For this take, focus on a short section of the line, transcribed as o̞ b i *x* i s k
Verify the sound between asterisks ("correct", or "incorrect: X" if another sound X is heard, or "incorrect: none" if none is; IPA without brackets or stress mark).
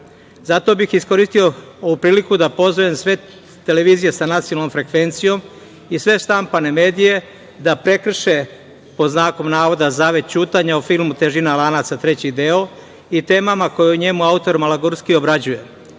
correct